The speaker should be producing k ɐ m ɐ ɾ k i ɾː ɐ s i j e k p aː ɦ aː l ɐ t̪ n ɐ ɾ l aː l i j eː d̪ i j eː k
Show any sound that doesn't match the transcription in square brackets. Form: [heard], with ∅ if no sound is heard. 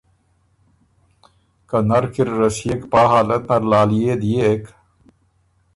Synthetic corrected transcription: k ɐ [n] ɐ ɾ k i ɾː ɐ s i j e k p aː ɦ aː l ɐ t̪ n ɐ ɾ l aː l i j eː d̪ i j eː k